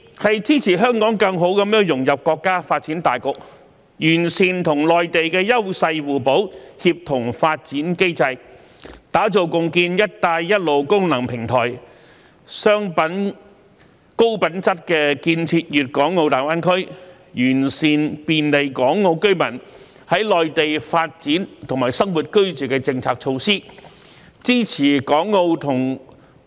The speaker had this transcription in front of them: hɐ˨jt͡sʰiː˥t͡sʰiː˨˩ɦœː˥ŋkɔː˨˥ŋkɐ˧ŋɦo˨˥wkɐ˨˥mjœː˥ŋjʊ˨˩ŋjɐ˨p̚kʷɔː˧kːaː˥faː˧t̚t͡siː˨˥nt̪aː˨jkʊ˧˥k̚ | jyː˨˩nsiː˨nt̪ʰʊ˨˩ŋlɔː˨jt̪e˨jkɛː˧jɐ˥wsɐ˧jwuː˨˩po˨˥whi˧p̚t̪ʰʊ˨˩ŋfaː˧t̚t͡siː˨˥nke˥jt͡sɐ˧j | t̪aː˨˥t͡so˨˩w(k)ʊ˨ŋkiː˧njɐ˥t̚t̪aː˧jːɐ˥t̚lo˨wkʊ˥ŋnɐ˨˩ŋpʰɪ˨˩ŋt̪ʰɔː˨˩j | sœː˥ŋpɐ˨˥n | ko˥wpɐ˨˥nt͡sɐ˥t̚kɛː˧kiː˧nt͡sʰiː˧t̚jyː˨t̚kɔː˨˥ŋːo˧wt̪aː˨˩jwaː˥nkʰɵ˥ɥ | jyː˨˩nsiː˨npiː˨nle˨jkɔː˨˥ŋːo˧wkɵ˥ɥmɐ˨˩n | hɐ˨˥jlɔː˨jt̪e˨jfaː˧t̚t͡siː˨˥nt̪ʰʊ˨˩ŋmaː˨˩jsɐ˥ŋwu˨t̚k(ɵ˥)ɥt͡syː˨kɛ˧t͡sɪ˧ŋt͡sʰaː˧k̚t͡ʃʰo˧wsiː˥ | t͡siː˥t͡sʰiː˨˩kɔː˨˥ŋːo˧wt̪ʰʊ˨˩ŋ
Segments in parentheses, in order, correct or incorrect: correct, correct

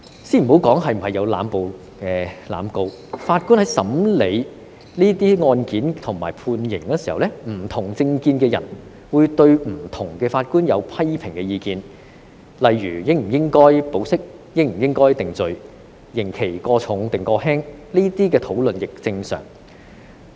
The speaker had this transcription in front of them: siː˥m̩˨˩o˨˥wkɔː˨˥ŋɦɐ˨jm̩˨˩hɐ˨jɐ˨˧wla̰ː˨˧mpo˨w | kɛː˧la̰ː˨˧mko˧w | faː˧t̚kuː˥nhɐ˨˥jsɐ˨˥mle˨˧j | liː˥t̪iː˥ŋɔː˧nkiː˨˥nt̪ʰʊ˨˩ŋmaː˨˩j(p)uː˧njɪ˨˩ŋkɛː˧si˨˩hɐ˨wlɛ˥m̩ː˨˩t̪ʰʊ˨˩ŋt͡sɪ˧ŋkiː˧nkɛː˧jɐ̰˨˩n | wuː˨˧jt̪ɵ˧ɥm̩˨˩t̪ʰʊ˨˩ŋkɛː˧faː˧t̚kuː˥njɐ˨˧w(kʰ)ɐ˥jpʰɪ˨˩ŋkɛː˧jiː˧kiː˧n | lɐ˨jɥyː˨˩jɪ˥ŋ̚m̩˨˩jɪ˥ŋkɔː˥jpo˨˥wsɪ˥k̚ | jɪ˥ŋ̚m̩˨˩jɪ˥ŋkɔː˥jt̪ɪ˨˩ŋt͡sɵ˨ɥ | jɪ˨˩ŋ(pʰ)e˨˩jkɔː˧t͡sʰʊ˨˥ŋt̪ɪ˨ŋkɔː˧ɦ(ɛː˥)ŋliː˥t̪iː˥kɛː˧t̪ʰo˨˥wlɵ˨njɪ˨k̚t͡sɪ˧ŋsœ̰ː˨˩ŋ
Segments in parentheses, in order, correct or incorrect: incorrect: pʰ, incorrect: pʰ, incorrect: kʰ, correct

